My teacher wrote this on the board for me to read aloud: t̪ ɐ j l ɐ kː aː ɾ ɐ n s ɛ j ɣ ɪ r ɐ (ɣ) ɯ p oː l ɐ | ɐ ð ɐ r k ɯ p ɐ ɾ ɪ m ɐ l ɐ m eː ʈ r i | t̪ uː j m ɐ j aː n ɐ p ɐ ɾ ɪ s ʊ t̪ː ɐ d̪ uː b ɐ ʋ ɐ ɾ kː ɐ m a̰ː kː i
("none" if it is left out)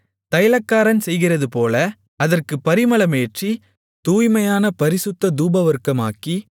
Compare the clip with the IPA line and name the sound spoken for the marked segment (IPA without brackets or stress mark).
ð